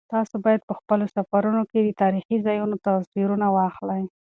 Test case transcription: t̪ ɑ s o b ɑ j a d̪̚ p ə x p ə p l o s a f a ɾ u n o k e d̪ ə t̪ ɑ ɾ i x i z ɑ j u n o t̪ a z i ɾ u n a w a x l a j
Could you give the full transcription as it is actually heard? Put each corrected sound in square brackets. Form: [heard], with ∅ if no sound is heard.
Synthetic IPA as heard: t̪ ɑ s o b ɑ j a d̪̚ p ə x p ə [∅] l o s a f a ɾ u n o k e d̪ ə t̪ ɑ ɾ i x i z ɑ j u n o t̪ a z i ɾ u n a w [ɑ] x l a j